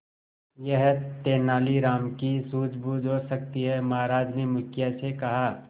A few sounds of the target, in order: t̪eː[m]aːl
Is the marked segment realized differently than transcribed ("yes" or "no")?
yes